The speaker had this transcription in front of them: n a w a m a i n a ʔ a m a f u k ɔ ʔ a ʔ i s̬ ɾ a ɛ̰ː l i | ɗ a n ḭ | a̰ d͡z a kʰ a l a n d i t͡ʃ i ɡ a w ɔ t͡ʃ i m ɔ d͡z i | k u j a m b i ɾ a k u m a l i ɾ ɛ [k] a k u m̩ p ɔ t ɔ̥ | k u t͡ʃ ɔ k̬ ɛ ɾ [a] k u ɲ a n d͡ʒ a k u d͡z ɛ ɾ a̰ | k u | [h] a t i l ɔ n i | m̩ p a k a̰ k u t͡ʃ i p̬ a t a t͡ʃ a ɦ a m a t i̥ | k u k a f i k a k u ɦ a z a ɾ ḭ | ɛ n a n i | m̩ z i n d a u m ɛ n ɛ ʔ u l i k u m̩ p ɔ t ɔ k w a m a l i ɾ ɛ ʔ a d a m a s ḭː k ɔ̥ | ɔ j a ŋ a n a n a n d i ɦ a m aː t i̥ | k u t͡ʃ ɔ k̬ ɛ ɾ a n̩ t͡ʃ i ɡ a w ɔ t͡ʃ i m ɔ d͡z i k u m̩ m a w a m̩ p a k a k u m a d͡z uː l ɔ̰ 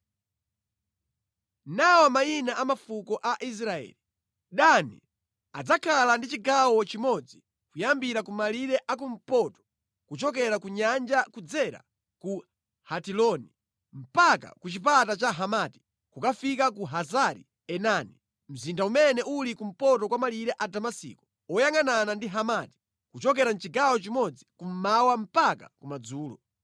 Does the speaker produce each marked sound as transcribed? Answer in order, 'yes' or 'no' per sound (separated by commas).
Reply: no, yes, yes